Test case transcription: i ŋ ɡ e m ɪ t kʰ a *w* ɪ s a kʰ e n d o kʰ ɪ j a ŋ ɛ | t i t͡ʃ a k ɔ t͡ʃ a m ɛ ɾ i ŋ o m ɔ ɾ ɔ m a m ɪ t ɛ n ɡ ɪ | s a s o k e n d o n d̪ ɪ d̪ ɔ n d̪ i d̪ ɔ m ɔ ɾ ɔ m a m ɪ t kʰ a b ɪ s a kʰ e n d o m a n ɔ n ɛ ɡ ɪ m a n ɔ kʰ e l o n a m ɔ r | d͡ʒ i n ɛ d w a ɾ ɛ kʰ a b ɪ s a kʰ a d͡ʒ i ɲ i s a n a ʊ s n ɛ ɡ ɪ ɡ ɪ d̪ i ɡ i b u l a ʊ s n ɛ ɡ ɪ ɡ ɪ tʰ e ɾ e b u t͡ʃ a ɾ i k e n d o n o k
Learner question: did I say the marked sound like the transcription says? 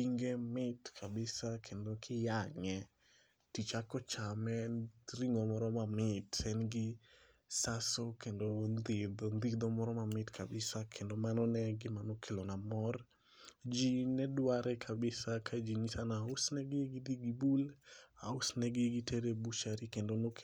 no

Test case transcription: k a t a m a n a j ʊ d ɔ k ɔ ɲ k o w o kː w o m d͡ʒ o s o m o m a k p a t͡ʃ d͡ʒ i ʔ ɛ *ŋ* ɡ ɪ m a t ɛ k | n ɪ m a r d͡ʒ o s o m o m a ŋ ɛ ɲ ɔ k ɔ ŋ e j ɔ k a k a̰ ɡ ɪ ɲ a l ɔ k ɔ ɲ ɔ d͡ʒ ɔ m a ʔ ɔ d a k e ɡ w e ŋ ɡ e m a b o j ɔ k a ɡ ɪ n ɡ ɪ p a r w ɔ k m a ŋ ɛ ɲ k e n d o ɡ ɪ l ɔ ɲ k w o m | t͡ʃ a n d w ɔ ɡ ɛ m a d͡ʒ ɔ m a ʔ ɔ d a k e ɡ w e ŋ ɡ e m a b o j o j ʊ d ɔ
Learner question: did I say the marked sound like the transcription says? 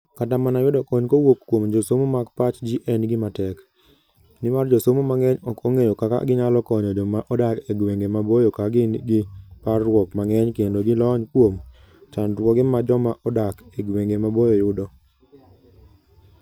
no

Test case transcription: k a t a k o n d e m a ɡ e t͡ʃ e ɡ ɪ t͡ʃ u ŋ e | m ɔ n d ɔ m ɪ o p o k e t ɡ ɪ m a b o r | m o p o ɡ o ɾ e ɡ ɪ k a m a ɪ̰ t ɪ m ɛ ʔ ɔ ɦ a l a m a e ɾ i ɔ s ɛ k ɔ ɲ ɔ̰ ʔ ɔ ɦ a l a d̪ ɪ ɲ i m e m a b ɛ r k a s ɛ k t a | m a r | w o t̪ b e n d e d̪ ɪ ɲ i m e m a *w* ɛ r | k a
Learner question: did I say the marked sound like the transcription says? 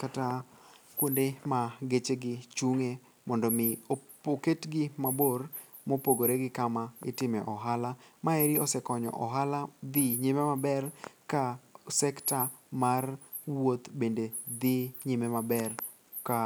no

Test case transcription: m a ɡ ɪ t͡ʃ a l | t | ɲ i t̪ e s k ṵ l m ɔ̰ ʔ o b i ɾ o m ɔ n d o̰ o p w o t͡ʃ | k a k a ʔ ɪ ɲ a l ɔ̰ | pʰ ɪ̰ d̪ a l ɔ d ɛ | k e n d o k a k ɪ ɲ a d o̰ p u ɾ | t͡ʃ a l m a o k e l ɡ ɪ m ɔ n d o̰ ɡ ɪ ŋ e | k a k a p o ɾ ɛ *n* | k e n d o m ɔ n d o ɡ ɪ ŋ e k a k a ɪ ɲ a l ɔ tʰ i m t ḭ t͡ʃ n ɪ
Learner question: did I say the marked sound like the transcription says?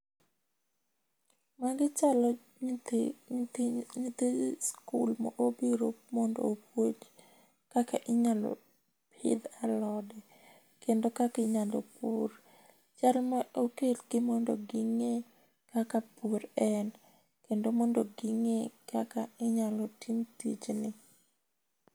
yes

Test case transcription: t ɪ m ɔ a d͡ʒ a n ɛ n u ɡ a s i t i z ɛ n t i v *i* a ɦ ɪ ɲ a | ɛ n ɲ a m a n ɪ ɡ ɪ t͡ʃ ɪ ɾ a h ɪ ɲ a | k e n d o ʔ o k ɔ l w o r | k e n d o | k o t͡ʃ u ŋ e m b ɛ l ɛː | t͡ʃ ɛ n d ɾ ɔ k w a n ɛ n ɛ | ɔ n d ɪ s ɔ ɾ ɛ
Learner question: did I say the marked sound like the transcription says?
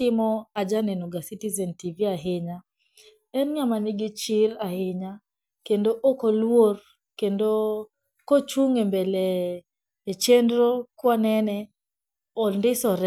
yes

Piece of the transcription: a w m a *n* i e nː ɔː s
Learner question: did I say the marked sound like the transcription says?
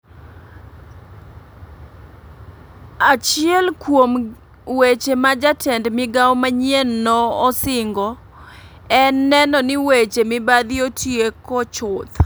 no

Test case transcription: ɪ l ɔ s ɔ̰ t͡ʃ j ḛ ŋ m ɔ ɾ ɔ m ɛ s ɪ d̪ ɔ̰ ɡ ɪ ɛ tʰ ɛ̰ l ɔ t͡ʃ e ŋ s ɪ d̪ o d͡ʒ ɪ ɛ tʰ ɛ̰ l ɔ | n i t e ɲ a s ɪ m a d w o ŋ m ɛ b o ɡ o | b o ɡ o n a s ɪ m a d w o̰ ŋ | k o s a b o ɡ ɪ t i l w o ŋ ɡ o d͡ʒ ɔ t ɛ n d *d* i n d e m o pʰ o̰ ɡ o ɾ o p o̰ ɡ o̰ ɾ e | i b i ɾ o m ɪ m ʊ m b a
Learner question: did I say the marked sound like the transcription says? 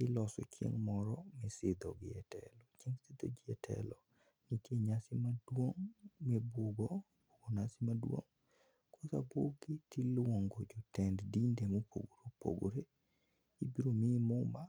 yes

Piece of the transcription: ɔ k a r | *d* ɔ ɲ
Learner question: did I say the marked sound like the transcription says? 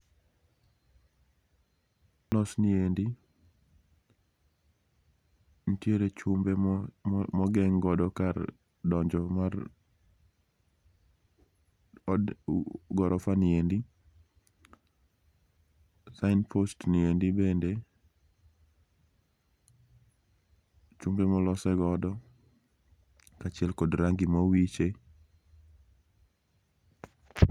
yes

